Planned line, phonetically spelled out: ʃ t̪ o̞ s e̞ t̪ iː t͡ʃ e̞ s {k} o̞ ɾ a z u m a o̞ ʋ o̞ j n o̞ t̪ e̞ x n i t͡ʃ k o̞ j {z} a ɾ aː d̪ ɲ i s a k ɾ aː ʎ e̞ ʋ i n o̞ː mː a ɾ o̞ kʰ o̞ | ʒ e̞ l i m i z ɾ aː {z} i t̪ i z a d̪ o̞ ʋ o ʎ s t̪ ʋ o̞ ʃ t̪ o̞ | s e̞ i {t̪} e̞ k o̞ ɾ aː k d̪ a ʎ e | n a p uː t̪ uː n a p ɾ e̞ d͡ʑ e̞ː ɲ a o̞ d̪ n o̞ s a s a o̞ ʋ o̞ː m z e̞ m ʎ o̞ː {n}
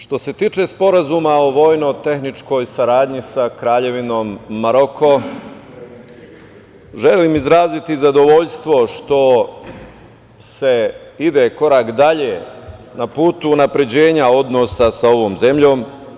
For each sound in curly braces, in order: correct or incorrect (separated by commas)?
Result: incorrect, incorrect, correct, incorrect, incorrect